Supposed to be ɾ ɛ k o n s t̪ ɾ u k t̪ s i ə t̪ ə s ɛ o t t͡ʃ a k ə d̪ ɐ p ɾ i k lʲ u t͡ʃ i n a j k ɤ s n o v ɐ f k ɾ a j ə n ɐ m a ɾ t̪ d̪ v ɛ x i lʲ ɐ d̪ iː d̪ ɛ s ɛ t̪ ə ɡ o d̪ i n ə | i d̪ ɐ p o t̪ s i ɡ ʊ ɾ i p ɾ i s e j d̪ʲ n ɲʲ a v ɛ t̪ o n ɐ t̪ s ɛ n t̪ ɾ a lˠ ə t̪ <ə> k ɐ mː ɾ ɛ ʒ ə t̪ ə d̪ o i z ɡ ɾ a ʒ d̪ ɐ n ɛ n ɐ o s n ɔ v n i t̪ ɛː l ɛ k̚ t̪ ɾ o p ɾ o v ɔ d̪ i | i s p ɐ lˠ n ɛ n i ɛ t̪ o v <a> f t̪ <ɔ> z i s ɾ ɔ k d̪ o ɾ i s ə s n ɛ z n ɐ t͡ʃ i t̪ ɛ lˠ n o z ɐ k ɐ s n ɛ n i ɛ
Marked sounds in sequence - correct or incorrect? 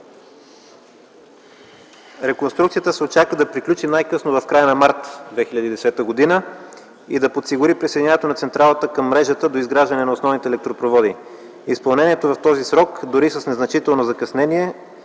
correct, incorrect, correct

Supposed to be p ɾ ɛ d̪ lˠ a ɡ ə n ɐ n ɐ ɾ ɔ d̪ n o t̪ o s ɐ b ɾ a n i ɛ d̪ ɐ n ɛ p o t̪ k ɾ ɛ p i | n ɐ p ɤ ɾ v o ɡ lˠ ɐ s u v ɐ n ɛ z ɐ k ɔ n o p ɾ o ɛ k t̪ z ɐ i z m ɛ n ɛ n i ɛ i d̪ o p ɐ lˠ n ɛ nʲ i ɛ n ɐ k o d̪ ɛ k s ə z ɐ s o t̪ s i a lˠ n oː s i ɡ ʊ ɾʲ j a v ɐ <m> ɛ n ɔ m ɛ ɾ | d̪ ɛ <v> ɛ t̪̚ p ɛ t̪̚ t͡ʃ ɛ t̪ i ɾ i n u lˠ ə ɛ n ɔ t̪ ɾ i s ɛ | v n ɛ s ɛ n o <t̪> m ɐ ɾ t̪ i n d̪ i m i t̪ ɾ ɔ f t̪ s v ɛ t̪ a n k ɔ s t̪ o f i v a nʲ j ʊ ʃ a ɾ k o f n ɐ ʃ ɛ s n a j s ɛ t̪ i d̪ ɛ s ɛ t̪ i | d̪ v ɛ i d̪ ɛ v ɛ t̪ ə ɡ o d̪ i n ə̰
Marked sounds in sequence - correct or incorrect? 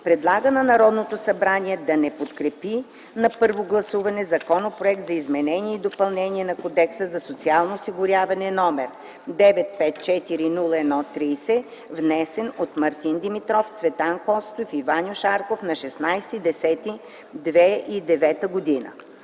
incorrect, correct, correct

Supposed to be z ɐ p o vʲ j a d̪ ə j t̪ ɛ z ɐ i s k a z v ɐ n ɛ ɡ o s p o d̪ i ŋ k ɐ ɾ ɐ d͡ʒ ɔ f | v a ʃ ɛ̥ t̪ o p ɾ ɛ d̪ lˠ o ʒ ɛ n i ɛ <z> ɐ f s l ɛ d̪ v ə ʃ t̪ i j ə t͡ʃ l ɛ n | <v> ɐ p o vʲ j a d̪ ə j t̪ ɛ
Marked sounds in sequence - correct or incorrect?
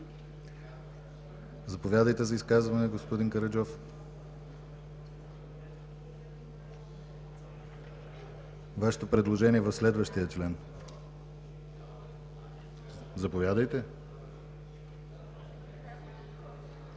incorrect, incorrect

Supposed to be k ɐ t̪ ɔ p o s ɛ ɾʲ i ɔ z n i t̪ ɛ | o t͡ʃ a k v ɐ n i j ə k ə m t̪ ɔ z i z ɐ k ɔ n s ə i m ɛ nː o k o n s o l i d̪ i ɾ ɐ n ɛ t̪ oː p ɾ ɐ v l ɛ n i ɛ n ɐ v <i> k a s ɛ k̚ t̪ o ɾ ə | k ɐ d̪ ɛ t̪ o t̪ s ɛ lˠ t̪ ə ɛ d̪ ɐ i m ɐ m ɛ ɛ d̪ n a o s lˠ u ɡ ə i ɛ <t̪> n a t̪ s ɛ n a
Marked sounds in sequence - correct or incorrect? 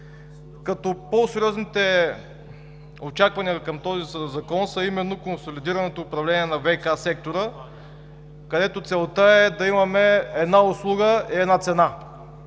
incorrect, incorrect

